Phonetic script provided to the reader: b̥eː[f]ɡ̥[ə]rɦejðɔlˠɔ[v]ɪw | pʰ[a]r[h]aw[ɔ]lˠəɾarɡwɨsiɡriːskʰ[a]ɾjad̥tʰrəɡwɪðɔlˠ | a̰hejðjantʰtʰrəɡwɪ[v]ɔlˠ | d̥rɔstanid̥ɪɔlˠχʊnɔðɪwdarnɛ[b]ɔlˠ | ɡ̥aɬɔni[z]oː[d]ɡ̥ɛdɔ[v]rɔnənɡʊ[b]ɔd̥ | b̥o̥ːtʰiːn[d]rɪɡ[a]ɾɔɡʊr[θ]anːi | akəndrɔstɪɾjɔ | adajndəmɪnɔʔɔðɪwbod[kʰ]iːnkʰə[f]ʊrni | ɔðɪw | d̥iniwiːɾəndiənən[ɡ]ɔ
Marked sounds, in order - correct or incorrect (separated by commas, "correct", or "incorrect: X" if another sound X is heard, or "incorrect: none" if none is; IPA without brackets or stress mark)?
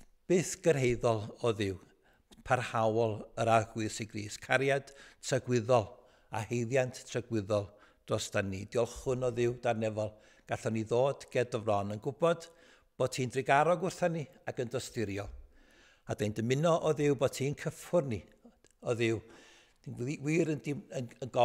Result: incorrect: θ, correct, incorrect: ð, correct, correct, correct, correct, incorrect: ð, incorrect: v, incorrect: ð, correct, correct, correct, correct, correct, correct, incorrect: tʰ, correct, correct